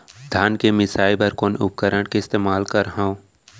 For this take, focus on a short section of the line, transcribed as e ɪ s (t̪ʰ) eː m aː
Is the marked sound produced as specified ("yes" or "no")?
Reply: no